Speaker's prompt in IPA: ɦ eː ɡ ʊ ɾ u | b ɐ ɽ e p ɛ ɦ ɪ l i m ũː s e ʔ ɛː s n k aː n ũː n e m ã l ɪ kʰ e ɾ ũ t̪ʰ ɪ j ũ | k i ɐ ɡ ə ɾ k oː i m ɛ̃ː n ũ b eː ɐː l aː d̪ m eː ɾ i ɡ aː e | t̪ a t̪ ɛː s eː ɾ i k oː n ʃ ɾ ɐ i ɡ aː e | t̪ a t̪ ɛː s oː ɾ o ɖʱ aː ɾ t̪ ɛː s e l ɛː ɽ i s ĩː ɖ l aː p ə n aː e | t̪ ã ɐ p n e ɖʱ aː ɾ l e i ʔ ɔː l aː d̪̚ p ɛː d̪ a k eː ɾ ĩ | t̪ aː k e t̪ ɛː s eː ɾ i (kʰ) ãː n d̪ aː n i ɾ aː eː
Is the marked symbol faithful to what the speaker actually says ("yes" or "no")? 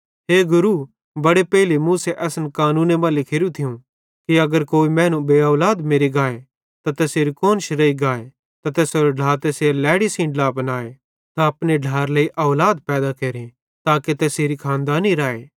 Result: yes